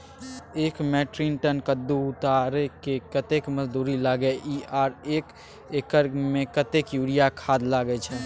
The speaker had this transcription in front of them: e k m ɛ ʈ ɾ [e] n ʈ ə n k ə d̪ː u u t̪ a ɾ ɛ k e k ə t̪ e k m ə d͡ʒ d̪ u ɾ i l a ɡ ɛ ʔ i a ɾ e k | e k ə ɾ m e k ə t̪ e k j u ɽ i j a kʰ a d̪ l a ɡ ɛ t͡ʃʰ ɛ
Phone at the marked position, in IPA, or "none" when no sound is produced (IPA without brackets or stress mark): i